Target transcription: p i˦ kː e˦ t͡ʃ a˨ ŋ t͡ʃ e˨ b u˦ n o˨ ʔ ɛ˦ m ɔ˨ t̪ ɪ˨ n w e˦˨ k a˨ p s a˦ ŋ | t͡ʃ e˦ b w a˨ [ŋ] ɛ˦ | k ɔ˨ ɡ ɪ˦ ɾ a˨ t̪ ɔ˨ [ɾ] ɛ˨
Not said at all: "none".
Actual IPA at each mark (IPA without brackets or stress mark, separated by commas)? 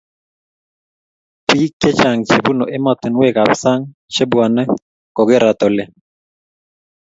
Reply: n, l